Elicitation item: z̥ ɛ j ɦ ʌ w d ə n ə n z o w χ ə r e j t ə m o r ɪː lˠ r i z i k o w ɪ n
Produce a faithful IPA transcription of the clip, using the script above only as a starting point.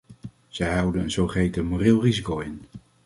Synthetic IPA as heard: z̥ ɛ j ɦ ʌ w d ə n ə n z o w χ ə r e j t ə m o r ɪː lˠ r i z i k o w ɪ n